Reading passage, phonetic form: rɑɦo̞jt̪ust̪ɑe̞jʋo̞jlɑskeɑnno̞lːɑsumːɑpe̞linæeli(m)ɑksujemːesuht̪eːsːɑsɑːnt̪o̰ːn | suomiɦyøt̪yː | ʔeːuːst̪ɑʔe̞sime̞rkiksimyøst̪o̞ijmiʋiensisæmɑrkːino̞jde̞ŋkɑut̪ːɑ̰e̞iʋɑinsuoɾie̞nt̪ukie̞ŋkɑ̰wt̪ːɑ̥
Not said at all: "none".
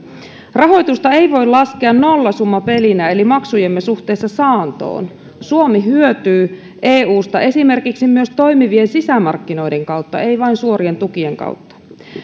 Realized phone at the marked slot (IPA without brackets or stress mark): m